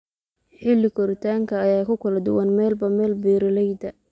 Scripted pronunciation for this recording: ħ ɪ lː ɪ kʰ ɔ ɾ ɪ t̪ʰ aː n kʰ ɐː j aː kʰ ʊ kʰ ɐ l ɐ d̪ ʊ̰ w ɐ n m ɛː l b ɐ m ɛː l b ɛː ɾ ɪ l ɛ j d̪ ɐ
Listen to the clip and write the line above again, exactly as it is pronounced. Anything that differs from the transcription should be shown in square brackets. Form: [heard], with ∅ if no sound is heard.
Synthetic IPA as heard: ħ ɪ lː ɪ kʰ ɔ ɾ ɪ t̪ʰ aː [ŋ] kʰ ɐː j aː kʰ ʊ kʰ ɐ l ɐ d̪ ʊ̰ w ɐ n m ɛː l b ɐ m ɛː l b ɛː ɾ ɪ l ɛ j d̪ ɐ